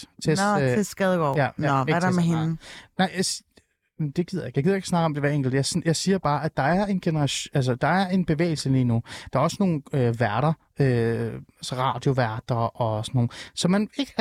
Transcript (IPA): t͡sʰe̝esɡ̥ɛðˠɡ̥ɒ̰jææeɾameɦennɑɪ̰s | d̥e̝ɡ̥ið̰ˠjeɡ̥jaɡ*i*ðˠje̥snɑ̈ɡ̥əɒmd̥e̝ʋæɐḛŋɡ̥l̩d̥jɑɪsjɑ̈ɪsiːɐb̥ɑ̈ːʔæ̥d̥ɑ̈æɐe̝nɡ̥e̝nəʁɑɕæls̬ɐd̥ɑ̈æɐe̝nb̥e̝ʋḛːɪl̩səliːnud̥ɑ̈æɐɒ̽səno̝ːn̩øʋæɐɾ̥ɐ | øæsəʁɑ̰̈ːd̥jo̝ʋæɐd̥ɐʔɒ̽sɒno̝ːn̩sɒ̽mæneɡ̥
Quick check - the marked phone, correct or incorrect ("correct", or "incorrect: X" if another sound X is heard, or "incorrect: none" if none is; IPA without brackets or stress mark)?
correct